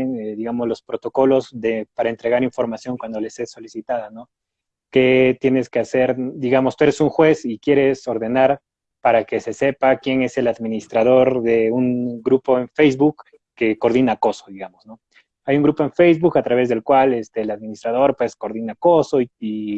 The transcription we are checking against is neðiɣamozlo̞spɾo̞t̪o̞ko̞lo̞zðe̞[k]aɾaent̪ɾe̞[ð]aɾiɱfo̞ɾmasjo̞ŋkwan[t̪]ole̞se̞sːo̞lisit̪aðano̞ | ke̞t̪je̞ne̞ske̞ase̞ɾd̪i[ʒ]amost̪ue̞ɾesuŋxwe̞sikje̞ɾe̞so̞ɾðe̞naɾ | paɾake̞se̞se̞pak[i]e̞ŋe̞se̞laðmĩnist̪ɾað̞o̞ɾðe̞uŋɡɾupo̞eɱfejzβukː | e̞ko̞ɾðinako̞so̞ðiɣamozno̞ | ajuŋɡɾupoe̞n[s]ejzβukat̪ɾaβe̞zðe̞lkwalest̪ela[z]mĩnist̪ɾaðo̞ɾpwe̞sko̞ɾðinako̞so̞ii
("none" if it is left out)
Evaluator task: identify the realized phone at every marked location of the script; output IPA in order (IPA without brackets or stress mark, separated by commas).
p, ɣ, d̪, ɣ, j, f, ð